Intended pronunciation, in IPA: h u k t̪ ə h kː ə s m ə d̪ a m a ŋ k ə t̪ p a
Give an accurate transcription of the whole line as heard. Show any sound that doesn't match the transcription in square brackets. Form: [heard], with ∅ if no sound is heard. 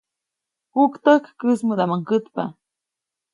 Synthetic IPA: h u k t̪ ə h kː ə s m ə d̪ a m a ŋ k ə t̪ p a